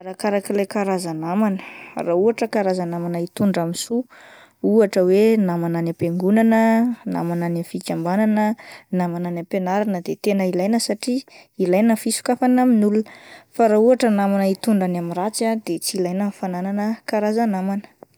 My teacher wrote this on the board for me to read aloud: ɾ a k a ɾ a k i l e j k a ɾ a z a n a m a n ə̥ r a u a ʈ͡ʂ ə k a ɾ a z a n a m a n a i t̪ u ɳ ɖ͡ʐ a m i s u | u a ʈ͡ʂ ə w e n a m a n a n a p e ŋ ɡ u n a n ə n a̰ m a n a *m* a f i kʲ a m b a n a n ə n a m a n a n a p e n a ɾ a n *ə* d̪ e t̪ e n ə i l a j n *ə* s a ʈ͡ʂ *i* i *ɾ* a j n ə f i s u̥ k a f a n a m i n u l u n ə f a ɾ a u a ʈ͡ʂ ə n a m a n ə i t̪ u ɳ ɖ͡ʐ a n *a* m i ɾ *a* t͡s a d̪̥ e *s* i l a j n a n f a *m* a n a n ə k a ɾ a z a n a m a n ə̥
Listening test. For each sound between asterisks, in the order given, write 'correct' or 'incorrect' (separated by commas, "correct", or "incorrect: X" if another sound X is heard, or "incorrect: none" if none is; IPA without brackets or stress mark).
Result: incorrect: n, correct, correct, correct, incorrect: l, correct, correct, incorrect: t͡s, incorrect: n